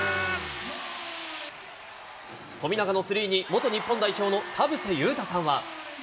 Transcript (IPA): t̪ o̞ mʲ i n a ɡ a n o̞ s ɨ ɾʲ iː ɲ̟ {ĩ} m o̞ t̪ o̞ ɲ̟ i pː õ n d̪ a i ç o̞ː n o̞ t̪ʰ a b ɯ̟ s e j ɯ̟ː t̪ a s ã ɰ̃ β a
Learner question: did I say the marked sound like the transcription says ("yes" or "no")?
no